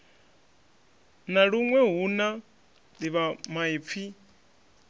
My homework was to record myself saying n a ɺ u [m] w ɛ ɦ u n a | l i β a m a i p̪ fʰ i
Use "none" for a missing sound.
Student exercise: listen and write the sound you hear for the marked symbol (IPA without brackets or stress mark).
ŋ